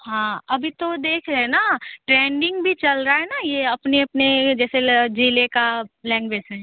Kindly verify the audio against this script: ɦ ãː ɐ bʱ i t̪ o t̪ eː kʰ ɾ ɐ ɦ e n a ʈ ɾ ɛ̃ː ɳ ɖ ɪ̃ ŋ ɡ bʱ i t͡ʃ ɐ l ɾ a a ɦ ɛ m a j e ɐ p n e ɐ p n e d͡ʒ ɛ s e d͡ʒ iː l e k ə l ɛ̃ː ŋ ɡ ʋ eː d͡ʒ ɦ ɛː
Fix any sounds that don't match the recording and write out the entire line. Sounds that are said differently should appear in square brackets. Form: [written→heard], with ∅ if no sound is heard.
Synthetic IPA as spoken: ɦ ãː ɐ bʱ i t̪ o [t̪→d̪] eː kʰ ɾ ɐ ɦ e n a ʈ ɾ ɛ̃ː ɳ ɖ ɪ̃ ŋ ɡ bʱ i t͡ʃ ɐ l ɾ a a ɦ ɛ [m→n] a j e ɐ p n e ɐ p n e d͡ʒ [ɛ→ɛː] s e d͡ʒ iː l e k [ə→a] l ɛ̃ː ŋ ɡ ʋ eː d͡ʒ ɦ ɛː